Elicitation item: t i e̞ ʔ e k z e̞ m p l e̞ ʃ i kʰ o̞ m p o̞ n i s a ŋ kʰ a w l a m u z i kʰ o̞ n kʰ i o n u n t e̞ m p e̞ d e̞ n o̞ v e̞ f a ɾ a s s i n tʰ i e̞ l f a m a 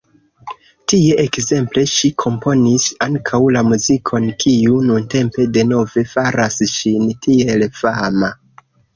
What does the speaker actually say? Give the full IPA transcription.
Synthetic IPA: t i e̞ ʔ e k z e̞ m p l e̞ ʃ i kʰ o̞ m p o̞ n i s a ŋ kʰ a w l a m u z i kʰ o̞ n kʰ i u n u n t e̞ m p e̞ d e̞ n o̞ v e̞ f a ɾ a s ʃ i n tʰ i e̞ l f a m a